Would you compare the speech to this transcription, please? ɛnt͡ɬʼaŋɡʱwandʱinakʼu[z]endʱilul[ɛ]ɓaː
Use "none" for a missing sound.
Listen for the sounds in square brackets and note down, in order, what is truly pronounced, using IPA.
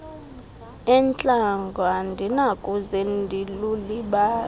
z, i

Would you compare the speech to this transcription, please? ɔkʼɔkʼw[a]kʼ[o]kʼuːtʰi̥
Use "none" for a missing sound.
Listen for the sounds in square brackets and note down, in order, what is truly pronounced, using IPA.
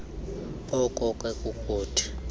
ɛ, u

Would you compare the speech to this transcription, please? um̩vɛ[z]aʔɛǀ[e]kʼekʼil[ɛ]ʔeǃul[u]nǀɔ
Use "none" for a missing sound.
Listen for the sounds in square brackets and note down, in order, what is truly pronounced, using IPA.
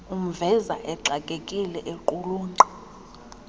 z, a, ɛ, uː

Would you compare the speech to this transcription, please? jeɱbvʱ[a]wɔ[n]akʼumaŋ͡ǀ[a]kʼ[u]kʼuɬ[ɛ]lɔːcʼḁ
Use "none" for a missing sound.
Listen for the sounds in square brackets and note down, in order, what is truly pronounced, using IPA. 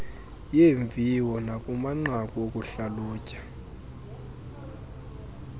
i, n, a, o, a

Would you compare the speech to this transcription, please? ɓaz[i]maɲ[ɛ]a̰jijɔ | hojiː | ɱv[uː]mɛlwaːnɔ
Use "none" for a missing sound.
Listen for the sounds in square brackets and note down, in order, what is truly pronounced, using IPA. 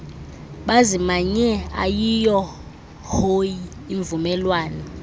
i, ɛ, u

